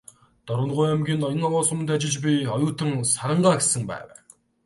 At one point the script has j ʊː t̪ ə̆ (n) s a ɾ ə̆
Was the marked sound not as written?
yes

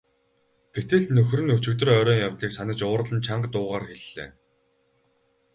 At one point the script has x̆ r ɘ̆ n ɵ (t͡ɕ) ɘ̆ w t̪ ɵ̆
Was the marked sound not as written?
no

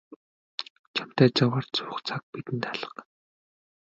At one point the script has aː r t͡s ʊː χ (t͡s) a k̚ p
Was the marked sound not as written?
yes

